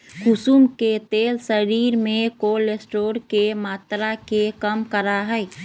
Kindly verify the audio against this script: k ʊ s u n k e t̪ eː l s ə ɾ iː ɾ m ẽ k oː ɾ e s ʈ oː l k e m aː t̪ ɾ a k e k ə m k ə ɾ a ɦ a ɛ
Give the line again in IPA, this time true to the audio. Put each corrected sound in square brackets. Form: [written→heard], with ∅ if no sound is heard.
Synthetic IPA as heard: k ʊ s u [n→m] k e t̪ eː l s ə ɾ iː ɾ m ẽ k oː [ɾ→l] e s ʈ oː [l→ɾ] k e m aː t̪ ɾ a k e k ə m k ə ɾ a ɦ [a→ɛ] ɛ